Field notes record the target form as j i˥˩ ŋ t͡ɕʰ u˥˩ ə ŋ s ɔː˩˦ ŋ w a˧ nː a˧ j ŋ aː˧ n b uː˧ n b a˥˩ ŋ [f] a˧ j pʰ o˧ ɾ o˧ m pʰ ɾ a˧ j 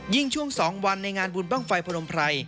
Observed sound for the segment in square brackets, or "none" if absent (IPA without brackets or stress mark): f